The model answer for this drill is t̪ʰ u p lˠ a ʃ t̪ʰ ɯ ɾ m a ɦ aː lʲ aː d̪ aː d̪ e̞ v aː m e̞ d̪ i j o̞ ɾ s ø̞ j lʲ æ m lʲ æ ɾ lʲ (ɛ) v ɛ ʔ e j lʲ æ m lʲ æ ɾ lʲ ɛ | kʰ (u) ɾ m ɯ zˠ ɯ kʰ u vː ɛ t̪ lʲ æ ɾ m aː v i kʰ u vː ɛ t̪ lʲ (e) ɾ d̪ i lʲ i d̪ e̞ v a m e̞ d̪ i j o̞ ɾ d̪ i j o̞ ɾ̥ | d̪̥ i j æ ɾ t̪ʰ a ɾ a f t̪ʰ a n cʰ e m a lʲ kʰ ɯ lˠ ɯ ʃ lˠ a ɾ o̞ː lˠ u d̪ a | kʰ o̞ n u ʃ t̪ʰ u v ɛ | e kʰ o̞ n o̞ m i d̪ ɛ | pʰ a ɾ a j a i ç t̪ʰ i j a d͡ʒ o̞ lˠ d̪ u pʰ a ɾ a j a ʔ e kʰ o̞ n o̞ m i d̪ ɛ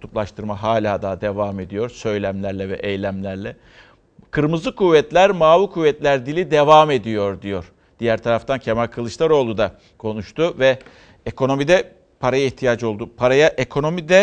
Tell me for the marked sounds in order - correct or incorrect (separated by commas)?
correct, incorrect, incorrect